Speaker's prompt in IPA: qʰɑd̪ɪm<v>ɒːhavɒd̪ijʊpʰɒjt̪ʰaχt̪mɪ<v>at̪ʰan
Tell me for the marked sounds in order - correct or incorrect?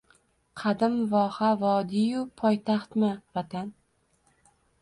correct, correct

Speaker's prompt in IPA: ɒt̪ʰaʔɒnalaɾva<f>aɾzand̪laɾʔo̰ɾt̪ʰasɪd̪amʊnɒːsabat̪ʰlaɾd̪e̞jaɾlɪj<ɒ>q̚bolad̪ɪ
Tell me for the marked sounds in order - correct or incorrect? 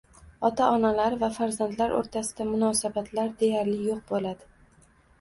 correct, incorrect: o

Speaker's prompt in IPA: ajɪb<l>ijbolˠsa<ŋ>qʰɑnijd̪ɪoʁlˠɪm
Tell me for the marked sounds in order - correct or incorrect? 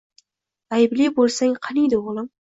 correct, correct

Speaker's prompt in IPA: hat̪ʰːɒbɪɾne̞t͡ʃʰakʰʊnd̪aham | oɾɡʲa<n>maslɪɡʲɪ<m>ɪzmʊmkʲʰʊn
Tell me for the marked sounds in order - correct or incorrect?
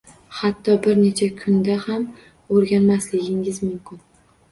correct, incorrect: ŋ

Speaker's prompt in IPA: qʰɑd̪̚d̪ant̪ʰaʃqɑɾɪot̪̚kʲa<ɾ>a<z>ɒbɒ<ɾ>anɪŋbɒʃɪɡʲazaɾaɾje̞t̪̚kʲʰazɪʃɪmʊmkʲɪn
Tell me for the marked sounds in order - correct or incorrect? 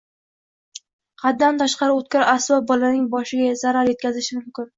correct, incorrect: s, incorrect: l

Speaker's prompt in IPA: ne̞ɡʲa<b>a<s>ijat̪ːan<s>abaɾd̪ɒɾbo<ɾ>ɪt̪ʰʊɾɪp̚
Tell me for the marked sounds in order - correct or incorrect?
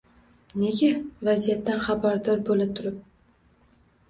incorrect: v, incorrect: z, incorrect: χ, incorrect: l

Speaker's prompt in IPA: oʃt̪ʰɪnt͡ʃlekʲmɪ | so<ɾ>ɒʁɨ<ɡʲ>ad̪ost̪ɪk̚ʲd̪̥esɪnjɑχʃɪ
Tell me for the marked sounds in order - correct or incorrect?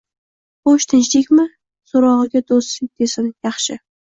correct, correct

